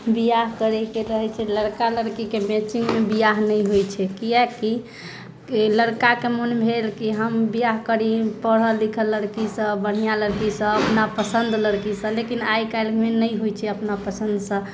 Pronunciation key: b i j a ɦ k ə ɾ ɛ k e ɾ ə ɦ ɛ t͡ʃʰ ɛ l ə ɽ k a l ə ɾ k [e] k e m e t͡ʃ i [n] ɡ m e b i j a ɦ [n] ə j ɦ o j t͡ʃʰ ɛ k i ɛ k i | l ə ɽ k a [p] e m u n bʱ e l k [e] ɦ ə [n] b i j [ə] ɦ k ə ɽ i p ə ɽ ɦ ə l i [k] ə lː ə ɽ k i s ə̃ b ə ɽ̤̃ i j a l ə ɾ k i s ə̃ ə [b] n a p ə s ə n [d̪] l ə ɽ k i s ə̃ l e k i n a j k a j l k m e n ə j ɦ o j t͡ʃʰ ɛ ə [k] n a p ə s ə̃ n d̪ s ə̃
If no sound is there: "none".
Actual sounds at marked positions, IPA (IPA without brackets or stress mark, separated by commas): i, ŋ, n, k, i, m, a, kʰ, p, d̪, p